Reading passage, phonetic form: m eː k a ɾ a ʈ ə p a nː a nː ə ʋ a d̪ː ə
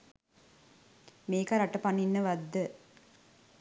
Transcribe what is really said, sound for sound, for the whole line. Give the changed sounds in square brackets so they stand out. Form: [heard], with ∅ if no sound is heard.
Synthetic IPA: m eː k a ɾ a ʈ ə p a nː [i] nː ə ʋ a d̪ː ə